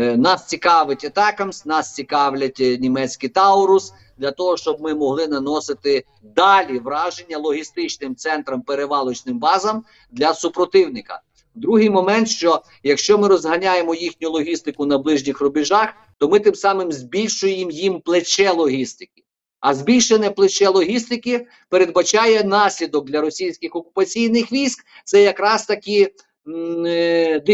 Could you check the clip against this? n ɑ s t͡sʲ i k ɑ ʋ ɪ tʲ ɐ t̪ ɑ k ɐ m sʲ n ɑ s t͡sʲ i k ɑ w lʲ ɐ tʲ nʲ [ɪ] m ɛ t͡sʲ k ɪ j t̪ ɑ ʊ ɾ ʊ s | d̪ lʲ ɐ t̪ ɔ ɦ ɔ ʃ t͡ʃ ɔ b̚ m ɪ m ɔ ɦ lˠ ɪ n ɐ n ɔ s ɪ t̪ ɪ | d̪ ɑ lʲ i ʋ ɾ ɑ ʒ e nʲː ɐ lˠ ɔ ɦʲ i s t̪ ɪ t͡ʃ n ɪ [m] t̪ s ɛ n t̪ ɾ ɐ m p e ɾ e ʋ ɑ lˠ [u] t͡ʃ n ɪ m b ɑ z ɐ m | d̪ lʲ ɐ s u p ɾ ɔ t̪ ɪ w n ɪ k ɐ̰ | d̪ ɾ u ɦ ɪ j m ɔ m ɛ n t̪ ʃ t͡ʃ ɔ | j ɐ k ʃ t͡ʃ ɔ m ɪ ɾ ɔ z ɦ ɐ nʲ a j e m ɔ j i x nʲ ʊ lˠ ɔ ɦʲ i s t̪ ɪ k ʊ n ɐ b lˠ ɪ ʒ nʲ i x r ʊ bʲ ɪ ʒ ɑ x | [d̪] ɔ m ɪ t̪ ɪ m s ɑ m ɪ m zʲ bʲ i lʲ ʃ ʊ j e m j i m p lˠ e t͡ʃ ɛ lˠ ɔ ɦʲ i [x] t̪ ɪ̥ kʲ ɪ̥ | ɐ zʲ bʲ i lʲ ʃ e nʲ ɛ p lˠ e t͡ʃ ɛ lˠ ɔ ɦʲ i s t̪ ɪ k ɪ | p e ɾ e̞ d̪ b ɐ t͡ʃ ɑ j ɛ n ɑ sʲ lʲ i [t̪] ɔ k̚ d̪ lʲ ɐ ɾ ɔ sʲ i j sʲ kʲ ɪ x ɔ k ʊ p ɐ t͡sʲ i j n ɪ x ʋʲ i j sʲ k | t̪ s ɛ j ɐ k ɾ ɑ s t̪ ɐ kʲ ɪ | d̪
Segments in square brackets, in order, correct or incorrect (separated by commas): incorrect, correct, incorrect, incorrect, incorrect, incorrect